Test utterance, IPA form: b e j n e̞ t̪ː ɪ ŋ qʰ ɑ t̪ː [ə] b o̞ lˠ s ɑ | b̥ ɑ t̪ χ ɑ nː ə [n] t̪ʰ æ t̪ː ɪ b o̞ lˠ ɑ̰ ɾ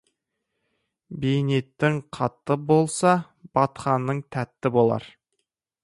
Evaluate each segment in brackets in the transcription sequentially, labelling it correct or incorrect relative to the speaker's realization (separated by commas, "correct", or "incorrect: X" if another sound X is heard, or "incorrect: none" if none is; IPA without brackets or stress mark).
correct, incorrect: ɴ